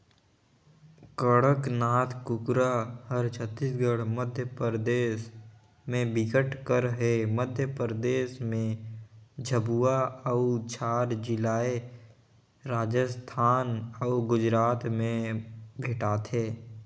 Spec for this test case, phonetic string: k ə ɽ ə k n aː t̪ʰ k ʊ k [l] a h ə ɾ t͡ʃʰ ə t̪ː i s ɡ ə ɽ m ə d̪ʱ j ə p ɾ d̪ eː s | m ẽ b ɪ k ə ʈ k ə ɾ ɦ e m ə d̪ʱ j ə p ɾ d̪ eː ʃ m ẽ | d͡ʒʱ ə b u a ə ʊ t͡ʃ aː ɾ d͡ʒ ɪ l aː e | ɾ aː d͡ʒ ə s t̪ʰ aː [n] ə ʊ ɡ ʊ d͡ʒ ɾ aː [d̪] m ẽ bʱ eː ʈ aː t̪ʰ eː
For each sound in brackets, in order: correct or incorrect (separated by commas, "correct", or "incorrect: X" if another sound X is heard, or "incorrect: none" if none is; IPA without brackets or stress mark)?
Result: incorrect: ɾ, correct, incorrect: t̪